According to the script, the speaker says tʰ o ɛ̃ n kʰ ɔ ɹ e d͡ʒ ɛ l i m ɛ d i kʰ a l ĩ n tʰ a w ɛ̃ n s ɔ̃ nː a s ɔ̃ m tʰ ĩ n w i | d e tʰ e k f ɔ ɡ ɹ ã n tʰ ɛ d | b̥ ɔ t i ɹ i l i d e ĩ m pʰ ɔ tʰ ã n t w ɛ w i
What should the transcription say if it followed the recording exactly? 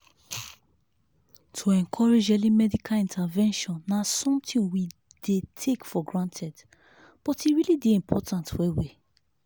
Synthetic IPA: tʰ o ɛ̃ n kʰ ɔ ɹ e d͡ʒ ɛ l i m ɛ d i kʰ a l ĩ n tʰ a v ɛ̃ n ʃ ɔ̃ nː a s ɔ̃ m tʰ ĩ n w i | d e tʰ e k f ɔ ɡ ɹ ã n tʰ ɛ d | b̥ ɔ t i ɹ i l i d e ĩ m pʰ ɔ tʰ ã n t w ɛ w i